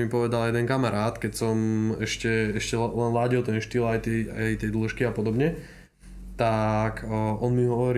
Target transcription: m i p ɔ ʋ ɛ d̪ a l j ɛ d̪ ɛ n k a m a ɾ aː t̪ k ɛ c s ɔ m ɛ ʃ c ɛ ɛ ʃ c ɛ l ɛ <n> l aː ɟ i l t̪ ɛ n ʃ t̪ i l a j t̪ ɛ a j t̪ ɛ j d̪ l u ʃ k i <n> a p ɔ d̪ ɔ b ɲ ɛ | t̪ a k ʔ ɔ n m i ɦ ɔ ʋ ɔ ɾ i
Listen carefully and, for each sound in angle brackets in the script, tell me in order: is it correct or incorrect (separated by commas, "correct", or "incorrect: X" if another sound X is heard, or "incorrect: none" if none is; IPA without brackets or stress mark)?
correct, incorrect: none